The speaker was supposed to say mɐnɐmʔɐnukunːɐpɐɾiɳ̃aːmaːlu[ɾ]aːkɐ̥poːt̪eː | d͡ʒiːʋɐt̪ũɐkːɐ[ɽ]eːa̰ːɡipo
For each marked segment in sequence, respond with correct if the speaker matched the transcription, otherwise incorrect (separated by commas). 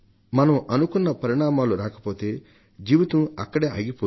correct, correct